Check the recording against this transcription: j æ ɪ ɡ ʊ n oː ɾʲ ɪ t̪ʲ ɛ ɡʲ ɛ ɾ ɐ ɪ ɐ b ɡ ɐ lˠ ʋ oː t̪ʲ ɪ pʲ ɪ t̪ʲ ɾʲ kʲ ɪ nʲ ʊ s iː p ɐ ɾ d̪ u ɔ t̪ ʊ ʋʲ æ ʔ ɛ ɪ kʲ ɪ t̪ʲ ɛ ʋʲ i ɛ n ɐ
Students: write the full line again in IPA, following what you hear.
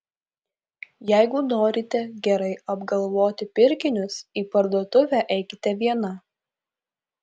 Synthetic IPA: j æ ɪ ɡ ʊ n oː ɾʲ ɪ t̪ʲ ɛ ɡʲ ɛ ɾ ɐ ɪ ɐ b ɡ ɐ lˠ ʋ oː t̪ʲ ɪ pʲ ɪ ɾʲ kʲ ɪ nʲ ʊ s iː p ɐ ɾ d̪ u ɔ t̪ ʊ ʋʲ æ ʔ ɛ ɪ kʲ ɪ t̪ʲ ɛ ʋʲ i ɛ n ɐ

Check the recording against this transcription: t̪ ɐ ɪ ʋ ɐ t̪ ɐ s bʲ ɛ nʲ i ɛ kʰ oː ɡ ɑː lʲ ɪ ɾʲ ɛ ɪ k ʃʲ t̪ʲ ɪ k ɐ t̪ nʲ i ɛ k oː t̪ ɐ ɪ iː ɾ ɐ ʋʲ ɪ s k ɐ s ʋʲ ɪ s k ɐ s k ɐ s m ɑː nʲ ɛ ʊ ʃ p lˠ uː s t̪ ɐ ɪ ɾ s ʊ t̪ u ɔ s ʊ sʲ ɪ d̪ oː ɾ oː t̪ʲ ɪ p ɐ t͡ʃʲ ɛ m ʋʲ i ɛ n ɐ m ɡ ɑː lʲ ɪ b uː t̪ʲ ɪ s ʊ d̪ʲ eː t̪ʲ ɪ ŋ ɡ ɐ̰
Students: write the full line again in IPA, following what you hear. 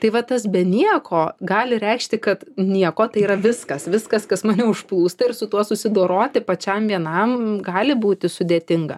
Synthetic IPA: t̪ ɐ ɪ ʋ ɐ t̪ ɐ s bʲ ɛ nʲ i ɛ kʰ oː ɡ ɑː lʲ ɪ ɾʲ ɛ ɪ k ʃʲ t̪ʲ ɪ k ɐ t̪ nʲ i ɛ k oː t̪ ɐ ɪ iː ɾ ɐ ʋʲ ɪ s k ɐ s ʋʲ ɪ s k ɐ s k ɐ s m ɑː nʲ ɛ ʊ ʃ p lˠ uː s t̪ ɐ ɪ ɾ s ʊ t̪ u ɔ s ʊ sʲ ɪ d̪ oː ɾ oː t̪ʲ ɪ p ɐ t͡ʃʲ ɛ m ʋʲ i ɛ n ɐ m ɡ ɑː lʲ ɪ b uː t̪ʲ ɪ s ʊ d̪ʲ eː t̪ʲ ɪ ŋ ɡ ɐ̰

